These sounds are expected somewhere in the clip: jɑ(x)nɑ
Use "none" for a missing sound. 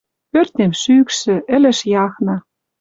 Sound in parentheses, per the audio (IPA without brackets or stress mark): x